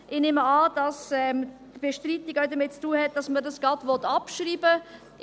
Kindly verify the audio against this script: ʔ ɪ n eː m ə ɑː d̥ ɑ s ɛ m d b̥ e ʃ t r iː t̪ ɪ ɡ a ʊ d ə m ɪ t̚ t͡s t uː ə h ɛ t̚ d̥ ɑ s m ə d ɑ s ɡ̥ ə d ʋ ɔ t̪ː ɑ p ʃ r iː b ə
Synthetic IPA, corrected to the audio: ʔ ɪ n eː m ə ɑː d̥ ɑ s ɛ m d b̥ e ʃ t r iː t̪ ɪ ɡ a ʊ d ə m ɪ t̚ t͡s t uː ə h ɛ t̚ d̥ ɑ s m ə d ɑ s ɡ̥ ɑ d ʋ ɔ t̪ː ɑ p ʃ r iː b ə